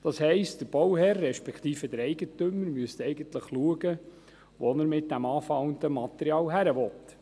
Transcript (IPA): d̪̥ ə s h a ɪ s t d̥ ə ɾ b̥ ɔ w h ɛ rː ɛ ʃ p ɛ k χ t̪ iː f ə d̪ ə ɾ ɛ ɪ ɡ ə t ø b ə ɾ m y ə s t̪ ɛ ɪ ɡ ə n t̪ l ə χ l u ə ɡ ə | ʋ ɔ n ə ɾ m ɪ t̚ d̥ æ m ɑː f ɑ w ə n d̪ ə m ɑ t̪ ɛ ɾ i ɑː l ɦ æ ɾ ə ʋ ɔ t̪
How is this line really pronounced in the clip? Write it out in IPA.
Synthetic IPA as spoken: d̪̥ ɑ s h ɛ ɪ s t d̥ ə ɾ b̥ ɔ w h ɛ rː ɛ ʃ p ɛ k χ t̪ iː f ə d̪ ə ɾ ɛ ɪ ɡ ə t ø m ə ɾ m y ə s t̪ ɛ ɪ ɡ ə n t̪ l ə χ l u ə ɡ ə | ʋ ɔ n ə ɾ m ɪ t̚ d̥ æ m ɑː f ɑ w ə n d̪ ə m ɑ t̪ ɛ ɾ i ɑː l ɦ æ ɾ ə ʋ ɔ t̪